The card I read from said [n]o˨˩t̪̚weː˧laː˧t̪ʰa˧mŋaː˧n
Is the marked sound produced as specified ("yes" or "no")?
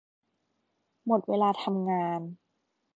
no